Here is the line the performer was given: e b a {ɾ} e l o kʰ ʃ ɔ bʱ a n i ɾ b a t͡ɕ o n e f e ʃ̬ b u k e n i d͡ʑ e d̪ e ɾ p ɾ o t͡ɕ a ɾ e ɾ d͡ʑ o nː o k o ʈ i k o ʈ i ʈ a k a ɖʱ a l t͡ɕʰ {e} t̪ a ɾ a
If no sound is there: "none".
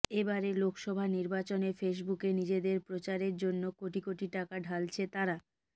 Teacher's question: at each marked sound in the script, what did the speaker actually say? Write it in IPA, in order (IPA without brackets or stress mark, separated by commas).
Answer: ɾ, e